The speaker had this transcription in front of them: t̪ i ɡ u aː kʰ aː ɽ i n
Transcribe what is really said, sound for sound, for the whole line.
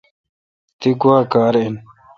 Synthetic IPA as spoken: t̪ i ɡ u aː k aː ɾ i n